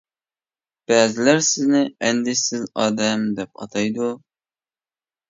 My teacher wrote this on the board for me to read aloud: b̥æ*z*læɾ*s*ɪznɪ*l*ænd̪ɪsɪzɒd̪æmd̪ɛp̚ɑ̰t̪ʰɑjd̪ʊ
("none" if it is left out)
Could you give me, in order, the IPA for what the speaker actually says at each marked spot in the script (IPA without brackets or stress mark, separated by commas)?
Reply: z, s, none